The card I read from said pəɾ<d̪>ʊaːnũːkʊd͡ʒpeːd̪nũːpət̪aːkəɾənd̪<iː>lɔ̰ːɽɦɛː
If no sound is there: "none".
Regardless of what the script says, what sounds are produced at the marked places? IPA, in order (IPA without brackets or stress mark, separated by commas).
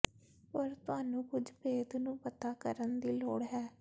t̪, iː